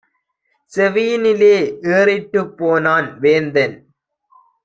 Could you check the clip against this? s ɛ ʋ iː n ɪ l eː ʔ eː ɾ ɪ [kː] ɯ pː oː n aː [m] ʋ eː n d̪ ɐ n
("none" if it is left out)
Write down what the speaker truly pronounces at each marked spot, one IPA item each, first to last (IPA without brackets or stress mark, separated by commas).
ʈː, n